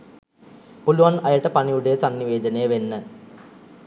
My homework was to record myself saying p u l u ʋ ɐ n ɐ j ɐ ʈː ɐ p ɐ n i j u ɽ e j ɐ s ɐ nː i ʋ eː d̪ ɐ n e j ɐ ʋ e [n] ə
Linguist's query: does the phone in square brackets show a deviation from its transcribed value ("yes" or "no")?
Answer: yes